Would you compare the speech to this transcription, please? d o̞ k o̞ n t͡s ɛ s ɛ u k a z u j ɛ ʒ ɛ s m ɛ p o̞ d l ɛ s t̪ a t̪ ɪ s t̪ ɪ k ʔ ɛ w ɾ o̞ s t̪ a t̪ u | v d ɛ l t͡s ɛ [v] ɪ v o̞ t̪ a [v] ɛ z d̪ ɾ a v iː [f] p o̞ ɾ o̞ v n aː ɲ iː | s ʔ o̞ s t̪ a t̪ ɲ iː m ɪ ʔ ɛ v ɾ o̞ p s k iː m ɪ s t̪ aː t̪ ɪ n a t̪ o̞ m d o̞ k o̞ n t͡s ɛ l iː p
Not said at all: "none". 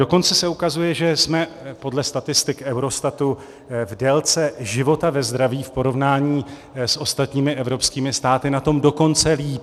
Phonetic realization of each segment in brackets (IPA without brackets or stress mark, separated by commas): ʒ, v, f